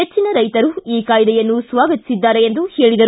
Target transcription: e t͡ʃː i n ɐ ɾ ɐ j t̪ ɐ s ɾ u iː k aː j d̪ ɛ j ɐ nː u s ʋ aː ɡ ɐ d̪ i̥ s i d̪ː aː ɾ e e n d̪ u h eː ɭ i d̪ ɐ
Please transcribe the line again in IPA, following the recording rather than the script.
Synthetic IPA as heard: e t͡ʃː i n ɐ ɾ ɐ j t̪ ɐ ɾ u iː k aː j d̪ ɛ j ɐ nː u s ʋ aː ɡ ɐ t̪ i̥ s i d̪ː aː ɾ e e n d̪ u h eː ɭ i d̪ ɐ